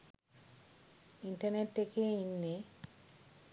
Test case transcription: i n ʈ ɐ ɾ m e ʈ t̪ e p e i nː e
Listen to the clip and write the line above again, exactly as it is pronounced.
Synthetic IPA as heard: i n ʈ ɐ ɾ n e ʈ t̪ e k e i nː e